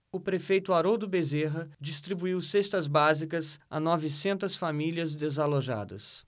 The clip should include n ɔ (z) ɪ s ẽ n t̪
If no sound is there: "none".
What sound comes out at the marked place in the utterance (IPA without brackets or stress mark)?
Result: v